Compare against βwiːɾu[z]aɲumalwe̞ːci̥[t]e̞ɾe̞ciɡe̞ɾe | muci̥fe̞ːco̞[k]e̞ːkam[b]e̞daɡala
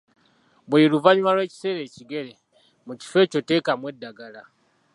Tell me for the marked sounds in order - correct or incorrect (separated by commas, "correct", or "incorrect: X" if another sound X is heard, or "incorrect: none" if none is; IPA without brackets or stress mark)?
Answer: incorrect: v, incorrect: s, incorrect: t, incorrect: w